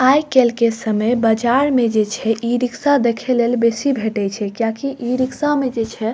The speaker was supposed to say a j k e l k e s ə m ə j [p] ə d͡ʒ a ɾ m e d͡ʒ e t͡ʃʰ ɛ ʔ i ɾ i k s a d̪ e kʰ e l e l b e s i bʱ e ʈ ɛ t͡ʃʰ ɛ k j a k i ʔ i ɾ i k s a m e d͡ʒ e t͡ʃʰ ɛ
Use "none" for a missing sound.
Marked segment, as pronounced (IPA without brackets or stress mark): b